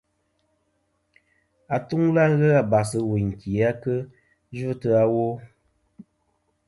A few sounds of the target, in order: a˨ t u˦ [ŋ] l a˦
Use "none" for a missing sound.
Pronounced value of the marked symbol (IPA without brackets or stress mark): ŋ